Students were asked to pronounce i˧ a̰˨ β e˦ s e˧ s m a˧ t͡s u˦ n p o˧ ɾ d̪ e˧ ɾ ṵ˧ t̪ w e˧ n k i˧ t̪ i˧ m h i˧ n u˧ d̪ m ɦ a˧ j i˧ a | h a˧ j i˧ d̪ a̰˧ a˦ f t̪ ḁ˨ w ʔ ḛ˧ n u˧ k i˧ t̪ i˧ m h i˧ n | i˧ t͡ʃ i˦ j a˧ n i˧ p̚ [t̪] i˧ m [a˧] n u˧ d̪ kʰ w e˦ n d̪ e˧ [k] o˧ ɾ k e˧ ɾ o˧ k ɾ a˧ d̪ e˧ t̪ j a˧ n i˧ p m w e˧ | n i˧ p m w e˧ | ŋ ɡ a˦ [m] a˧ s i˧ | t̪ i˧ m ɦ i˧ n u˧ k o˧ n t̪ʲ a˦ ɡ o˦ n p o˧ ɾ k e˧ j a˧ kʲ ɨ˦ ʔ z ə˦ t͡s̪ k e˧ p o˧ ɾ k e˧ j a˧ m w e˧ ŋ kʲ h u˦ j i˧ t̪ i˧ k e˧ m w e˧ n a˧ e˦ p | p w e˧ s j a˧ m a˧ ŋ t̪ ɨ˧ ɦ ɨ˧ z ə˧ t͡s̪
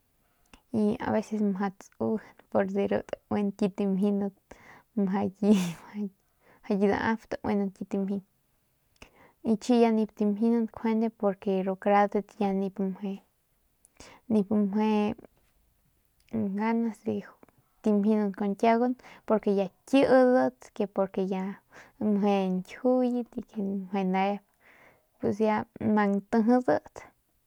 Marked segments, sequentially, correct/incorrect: correct, incorrect: i˧, incorrect: p, incorrect: n

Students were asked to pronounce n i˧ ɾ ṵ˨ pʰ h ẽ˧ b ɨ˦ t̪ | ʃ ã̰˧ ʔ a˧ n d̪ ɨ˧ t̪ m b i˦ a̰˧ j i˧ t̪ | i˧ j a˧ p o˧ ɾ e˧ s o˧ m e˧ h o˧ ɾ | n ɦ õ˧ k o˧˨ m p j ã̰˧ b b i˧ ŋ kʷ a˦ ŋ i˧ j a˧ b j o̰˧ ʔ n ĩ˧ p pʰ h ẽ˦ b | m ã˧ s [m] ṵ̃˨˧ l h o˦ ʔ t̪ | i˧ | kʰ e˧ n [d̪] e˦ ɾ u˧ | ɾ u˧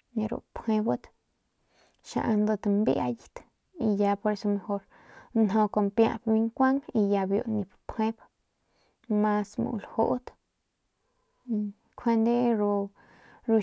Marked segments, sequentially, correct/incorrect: correct, correct

